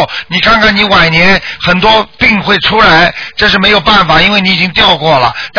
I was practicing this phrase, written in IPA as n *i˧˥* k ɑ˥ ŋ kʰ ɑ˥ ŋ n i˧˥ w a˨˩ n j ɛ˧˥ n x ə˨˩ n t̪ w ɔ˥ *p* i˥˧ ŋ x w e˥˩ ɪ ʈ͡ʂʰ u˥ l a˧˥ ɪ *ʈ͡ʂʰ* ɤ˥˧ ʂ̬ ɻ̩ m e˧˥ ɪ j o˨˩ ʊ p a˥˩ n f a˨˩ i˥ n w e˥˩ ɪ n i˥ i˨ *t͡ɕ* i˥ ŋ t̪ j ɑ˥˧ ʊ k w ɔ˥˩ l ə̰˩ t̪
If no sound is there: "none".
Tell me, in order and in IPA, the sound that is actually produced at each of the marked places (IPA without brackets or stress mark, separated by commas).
i˨˩, p, ʈ͡ʂ, t͡ɕ